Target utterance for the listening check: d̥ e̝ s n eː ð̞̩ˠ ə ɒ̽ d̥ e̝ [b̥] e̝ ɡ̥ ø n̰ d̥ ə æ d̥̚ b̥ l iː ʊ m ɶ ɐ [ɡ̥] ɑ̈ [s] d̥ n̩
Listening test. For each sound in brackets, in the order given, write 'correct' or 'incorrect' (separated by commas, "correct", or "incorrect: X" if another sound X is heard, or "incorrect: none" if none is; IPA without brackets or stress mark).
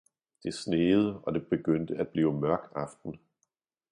correct, correct, incorrect: f